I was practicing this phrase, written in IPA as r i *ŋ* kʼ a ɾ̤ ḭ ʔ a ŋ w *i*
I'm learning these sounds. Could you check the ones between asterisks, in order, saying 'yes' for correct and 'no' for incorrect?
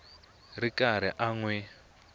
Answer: no, no

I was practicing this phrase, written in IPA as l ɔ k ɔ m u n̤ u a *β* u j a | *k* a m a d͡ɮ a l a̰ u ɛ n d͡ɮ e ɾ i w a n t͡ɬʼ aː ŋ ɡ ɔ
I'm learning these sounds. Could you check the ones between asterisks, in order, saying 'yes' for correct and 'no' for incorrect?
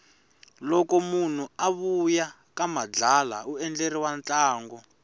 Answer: yes, yes

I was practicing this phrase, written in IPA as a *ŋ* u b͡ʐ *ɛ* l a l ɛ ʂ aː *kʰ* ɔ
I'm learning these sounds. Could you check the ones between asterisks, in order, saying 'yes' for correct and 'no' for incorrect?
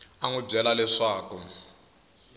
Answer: yes, yes, no

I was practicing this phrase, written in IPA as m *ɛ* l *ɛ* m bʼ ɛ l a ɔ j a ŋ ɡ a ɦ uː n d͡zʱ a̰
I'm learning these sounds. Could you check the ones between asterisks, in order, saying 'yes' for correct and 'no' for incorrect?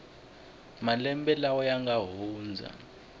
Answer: no, yes

